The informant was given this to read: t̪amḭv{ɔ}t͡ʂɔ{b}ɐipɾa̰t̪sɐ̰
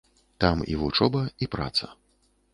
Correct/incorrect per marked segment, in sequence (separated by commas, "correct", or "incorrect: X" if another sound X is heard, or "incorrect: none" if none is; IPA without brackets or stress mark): incorrect: u, correct